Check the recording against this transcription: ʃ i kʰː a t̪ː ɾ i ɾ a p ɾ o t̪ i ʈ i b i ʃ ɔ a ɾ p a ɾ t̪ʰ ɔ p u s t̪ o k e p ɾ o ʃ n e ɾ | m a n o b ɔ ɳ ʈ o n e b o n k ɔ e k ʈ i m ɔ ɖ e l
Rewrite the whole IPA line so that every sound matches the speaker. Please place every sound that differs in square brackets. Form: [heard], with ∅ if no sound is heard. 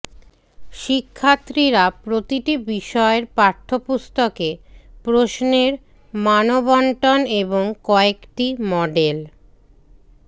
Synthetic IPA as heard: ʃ i kʰː a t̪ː ɾ i ɾ a p ɾ o t̪ i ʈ i b i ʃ ɔ [e] ɾ p a ɾ t̪ʰ [o] p u s t̪ o k e p ɾ o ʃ n e ɾ | m a n o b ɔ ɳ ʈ o n e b o [ŋ] k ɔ e k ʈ i m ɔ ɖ e l